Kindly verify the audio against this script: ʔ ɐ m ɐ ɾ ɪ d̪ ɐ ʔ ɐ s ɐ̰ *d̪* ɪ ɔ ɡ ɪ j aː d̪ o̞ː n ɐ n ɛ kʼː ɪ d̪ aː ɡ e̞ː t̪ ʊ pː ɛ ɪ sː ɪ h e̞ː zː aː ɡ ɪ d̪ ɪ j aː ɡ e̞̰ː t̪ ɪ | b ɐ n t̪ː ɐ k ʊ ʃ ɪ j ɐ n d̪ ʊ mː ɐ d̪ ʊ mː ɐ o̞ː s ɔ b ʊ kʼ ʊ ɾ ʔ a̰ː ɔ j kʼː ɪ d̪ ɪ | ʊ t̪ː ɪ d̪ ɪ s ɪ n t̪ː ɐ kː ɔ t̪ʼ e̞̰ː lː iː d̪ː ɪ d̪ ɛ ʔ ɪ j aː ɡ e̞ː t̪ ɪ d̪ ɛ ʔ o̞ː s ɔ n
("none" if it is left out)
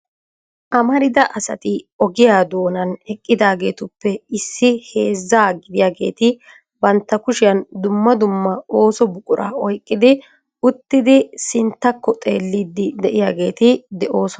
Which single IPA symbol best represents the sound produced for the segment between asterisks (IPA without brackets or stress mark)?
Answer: t̪